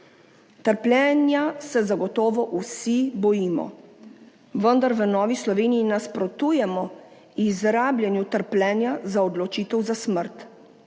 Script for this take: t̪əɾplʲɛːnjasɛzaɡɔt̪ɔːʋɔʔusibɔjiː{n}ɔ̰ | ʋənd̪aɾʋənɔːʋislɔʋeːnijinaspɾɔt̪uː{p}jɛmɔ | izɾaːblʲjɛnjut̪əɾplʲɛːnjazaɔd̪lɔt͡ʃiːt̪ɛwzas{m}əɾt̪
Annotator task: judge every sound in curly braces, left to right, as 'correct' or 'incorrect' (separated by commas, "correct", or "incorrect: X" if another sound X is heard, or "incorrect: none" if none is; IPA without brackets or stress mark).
incorrect: m, incorrect: none, correct